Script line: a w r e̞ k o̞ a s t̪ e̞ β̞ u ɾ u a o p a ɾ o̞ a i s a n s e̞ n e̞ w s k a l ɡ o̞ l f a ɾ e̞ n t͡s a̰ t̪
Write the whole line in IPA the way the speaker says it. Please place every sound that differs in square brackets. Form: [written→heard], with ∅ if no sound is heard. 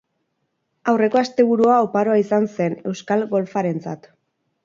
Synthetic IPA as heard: a w r e̞ k o̞ a s t̪ e̞ β̞ u ɾ u a o p a ɾ o̞ a i s a n s e̞ n e̞ w s k a l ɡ o̞ l f a ɾ e̞ n t͡s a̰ t̪